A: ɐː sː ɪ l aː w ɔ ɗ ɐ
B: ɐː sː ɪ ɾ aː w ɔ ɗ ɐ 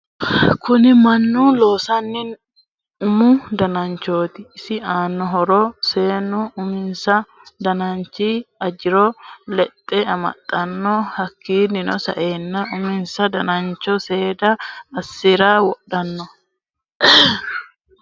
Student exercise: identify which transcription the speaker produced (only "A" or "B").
B